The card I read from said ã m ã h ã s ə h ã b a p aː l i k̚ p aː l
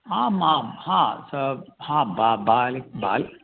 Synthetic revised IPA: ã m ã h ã s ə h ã b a b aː l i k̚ b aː l